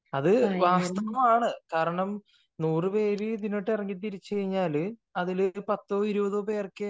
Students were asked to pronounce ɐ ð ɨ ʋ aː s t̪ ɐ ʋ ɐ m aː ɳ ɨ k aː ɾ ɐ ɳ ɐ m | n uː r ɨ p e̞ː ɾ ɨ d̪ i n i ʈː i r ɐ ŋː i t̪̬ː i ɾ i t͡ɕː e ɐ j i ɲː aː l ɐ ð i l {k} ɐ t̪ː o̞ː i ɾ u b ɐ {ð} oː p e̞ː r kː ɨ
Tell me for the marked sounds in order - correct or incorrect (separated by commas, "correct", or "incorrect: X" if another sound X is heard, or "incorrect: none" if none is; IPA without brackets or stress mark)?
incorrect: p, correct